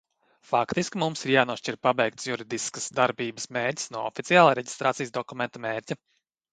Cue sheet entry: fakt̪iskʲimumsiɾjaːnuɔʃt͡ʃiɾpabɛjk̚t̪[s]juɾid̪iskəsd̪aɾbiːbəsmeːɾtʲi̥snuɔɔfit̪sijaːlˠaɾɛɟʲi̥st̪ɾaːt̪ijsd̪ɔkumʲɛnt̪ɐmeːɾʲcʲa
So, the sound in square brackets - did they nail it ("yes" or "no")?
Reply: yes